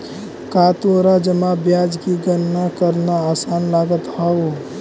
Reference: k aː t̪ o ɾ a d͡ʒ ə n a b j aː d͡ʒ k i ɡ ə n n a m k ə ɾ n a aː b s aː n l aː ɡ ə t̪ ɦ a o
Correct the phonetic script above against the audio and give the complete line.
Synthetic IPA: k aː t̪ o ɾ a d͡ʒ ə m a b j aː d͡ʒ k i ɡ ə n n a k ə ɾ n a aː s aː n l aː ɡ ə t̪ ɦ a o